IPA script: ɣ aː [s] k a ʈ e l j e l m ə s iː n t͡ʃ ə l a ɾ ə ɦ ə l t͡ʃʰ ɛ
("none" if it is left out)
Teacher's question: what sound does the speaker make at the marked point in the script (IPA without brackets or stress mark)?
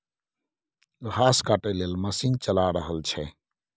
s